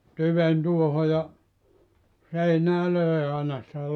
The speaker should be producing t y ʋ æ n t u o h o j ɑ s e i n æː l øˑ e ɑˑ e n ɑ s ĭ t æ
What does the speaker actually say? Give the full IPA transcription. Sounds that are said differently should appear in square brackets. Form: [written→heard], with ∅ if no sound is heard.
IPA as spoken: t y ʋ [æ→e] n t u o h o j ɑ s e i n æː l øˑ e ɑˑ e n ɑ s ĭ t æ